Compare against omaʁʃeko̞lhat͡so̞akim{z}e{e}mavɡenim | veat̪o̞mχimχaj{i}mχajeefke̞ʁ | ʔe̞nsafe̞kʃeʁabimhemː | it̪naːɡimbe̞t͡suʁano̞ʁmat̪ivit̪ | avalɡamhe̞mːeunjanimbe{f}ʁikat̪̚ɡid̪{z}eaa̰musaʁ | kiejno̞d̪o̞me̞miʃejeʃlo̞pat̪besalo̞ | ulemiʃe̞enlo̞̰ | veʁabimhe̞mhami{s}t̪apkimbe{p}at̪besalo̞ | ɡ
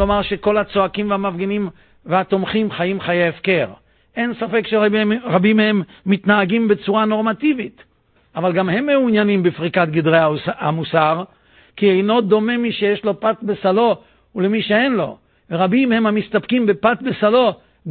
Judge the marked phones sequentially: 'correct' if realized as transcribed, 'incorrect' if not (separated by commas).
incorrect, incorrect, correct, correct, incorrect, correct, correct